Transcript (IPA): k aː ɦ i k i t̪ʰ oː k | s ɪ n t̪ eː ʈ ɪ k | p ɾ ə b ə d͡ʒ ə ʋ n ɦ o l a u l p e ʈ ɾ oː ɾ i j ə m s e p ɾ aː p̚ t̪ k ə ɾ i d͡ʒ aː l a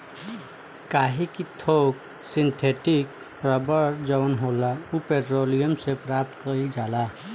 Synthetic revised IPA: k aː ɦ i k i t̪ʰ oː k | s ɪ n t̪ʰ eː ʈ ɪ k | p ɾ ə b ə d͡ʒ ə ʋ n ɦ o l a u p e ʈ ɾ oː l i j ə m s e p ɾ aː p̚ t̪ k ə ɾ i d͡ʒ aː l a